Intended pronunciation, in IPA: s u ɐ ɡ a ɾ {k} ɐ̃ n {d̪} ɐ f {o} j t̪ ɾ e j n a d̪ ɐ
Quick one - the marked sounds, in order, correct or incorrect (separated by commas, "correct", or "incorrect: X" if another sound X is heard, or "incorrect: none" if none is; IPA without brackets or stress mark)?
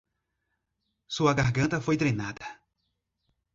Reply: incorrect: ɡ, incorrect: t̪, correct